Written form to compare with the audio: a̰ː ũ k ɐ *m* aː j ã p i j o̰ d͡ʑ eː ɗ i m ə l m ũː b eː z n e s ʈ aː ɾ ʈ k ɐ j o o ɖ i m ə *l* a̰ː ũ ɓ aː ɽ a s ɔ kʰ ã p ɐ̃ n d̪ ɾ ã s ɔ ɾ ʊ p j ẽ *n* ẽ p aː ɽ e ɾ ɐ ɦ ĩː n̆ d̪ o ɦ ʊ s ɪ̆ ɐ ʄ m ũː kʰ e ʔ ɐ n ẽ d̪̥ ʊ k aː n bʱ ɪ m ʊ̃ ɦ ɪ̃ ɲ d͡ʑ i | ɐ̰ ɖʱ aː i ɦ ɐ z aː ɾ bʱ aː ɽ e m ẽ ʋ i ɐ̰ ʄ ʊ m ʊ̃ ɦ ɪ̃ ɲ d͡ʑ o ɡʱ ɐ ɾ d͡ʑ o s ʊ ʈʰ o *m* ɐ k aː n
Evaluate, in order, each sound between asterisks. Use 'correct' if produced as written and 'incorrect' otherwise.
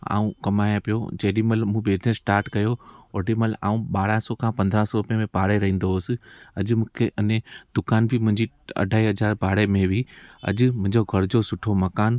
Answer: correct, correct, incorrect, correct

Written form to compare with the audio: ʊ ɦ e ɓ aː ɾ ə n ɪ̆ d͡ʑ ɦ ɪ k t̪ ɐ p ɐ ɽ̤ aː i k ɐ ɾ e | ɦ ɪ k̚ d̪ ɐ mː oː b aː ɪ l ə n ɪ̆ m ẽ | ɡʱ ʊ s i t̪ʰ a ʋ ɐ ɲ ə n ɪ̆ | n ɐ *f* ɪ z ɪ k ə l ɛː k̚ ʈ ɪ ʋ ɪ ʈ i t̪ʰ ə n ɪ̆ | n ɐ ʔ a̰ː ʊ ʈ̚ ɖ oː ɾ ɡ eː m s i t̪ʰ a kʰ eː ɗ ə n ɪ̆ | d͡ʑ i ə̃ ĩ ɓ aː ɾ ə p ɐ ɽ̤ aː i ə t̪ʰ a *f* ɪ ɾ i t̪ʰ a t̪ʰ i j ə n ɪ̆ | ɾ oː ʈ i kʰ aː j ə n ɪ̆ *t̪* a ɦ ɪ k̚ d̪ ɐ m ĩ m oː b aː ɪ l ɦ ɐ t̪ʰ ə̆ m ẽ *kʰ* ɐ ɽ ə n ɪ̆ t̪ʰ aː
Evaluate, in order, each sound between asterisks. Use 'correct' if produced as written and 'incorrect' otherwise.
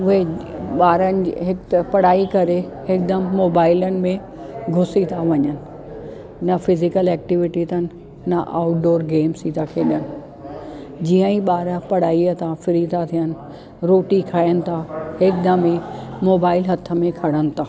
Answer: correct, correct, incorrect, correct

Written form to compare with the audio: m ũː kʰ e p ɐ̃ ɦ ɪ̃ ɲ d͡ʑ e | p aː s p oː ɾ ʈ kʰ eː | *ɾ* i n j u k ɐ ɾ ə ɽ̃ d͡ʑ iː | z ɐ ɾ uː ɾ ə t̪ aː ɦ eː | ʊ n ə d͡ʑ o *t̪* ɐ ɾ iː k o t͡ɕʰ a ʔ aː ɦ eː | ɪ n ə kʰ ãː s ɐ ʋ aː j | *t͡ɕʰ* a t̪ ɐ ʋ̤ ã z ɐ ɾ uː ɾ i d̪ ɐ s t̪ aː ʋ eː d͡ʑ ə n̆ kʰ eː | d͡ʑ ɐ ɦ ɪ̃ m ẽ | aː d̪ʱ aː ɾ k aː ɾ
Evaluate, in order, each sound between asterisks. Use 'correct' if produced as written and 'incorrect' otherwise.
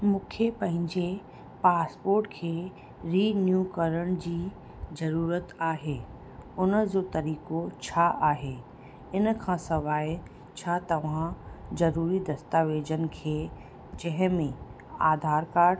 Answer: correct, correct, correct

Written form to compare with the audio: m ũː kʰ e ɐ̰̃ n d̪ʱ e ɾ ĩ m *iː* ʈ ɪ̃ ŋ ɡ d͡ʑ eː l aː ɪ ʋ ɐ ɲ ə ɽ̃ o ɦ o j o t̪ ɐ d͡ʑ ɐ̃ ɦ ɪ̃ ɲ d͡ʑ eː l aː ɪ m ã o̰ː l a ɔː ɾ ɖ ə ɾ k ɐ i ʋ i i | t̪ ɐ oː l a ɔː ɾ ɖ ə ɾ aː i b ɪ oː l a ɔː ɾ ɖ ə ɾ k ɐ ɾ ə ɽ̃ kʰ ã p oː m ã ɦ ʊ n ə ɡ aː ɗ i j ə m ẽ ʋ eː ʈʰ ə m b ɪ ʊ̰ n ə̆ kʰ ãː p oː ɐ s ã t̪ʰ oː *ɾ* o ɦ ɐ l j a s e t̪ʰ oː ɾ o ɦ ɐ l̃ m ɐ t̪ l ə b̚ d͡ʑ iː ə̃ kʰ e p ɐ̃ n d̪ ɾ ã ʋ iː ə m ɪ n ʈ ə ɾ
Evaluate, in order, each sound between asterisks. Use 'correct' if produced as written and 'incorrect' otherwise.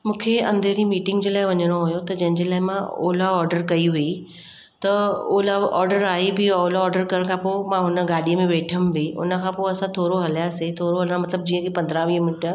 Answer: correct, correct

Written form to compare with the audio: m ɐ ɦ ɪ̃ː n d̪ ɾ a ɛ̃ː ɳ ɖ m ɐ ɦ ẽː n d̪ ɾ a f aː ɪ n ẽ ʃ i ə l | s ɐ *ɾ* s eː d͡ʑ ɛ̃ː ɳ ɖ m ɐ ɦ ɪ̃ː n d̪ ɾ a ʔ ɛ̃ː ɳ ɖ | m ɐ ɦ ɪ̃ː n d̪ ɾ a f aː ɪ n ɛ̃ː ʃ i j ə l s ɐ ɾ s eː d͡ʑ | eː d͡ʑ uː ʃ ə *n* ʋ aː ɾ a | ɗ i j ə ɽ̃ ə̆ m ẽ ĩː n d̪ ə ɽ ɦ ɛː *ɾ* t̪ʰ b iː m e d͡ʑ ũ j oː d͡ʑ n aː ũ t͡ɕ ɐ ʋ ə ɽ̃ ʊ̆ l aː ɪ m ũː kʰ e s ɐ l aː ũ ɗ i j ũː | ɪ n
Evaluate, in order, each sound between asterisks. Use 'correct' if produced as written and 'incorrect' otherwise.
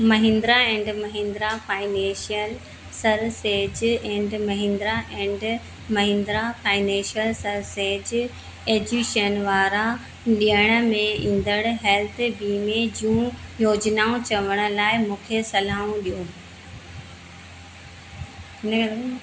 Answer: correct, correct, incorrect

